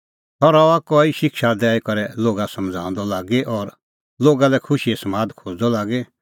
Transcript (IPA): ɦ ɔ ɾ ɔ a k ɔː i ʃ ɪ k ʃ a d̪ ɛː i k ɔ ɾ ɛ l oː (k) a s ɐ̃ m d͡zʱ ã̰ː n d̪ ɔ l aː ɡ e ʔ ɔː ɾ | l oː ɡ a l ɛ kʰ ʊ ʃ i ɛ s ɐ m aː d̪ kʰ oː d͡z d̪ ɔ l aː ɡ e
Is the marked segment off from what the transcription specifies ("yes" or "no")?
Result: yes